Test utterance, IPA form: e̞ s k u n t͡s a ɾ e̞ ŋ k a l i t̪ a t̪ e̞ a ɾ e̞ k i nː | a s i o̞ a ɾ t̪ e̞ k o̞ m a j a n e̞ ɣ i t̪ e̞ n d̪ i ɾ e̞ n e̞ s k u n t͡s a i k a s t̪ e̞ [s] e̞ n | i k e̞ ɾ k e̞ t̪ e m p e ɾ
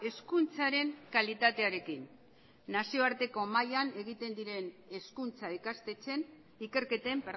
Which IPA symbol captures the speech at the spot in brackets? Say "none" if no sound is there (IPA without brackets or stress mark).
t͡s